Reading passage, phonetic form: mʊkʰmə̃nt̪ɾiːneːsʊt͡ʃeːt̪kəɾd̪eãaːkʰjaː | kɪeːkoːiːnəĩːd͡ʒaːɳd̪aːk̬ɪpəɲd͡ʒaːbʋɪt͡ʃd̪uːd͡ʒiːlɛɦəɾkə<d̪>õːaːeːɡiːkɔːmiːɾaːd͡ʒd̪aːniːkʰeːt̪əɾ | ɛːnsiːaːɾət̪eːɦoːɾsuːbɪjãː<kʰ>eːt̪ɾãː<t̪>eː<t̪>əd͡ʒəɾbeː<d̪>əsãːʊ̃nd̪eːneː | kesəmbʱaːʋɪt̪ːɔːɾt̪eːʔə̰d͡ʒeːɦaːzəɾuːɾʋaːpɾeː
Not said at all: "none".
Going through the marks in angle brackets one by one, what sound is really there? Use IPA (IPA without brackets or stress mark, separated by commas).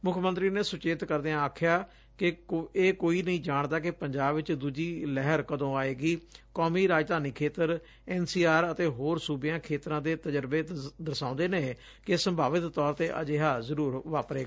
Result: d̪, kʰ, d̪, t̪, d̪